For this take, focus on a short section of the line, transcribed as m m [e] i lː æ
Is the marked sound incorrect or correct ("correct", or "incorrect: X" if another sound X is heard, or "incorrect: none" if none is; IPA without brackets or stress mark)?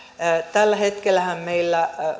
correct